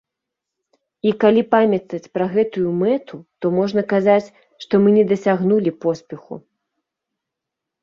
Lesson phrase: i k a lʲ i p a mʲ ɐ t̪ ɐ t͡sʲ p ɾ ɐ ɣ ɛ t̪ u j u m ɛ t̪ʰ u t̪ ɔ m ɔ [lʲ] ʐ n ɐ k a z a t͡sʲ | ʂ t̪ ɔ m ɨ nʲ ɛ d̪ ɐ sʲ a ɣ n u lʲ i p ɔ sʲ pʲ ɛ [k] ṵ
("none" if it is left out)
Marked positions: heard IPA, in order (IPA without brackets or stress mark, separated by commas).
none, x